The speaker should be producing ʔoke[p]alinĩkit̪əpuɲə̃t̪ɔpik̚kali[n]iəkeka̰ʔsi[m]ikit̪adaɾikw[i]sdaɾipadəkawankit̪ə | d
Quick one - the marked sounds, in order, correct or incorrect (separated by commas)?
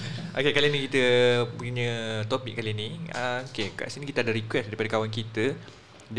incorrect, correct, incorrect, incorrect